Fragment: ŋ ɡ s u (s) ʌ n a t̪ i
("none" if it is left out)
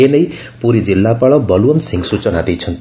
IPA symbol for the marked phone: t͡s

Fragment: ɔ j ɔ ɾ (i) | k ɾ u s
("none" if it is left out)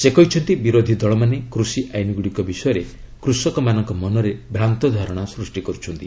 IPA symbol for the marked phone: e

